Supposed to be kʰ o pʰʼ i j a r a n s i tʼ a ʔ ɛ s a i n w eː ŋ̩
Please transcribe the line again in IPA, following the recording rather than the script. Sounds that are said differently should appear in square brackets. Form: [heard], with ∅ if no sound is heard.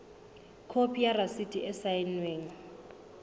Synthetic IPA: kʰ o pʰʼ i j a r a [∅] s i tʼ [i] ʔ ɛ s a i n w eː ŋ̩